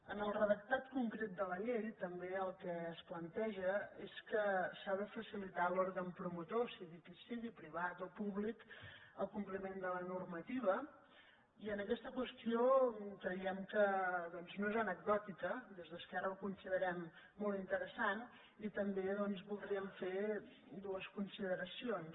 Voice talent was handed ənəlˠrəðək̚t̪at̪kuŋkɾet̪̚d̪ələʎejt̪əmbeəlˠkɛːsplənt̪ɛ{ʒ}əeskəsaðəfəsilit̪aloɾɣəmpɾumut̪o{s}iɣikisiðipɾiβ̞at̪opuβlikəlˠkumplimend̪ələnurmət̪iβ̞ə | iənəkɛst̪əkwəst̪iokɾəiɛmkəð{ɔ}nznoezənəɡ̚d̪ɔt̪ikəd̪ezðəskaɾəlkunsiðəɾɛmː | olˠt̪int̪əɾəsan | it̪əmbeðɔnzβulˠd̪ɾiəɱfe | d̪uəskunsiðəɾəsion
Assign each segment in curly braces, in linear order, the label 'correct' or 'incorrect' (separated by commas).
correct, correct, correct